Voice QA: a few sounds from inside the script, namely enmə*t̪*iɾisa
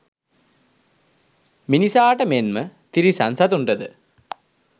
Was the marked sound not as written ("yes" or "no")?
no